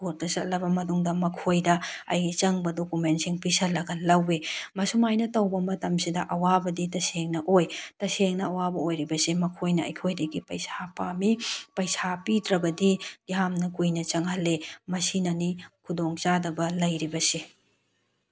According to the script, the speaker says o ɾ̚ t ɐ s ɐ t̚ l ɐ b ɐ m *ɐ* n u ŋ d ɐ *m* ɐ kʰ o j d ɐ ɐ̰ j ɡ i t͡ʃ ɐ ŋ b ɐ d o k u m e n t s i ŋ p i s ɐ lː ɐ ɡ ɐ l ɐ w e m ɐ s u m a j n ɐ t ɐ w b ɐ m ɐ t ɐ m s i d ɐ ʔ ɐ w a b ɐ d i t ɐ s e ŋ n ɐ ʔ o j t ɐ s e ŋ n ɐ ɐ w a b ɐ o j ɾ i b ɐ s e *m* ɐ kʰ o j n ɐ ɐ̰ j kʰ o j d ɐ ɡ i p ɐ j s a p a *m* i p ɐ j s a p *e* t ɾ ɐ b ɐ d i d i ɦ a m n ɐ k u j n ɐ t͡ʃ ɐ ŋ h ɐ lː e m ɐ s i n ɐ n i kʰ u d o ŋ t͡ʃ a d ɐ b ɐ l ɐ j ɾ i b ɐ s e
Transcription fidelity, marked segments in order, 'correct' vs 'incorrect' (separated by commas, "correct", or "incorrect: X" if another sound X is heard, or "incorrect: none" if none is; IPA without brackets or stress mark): correct, correct, correct, correct, incorrect: i